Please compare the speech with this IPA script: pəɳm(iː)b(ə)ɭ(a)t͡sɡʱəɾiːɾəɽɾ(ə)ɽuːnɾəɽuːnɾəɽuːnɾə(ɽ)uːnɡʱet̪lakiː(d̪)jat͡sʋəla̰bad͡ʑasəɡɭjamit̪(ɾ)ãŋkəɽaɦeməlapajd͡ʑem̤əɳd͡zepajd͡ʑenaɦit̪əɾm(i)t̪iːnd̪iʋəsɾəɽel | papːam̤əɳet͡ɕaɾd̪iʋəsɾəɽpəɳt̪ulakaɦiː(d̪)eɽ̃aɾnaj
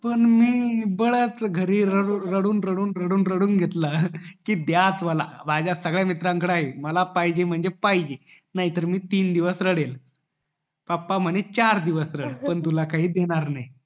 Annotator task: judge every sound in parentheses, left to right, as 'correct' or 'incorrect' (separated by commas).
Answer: correct, correct, incorrect, correct, correct, correct, correct, incorrect, correct